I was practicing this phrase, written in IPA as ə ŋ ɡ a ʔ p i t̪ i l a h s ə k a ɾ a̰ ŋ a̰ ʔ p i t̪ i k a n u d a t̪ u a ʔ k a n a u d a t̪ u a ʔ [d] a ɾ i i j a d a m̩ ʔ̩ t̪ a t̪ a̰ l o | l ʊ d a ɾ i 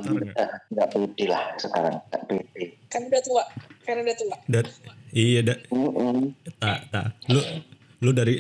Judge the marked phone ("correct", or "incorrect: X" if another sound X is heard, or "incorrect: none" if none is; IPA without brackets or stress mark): correct